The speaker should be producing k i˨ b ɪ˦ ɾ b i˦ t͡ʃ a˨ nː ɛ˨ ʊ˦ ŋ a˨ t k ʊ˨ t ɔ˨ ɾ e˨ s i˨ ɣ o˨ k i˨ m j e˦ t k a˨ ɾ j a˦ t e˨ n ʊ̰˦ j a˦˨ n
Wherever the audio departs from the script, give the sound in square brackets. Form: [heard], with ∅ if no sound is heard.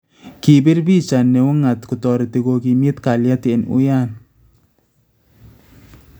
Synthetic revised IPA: k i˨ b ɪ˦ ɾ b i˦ t͡ʃ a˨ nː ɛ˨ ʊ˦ ŋ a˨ t k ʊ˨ t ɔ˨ ɾ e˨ [t] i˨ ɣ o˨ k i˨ m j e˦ t k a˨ [l] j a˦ t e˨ n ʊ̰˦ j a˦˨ n